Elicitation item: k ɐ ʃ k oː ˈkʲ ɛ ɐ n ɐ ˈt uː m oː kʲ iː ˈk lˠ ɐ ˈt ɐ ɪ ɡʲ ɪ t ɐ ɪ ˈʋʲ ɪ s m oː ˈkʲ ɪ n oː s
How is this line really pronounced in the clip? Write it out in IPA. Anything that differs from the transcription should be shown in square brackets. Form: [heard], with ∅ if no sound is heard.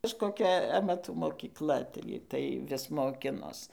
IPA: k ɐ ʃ k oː ˈkʲ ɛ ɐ [m] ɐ ˈt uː m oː kʲ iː ˈk lˠ ɐ ˈt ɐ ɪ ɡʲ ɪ t ɐ ɪ ˈʋʲ ɪ s m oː ˈkʲ ɪ n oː s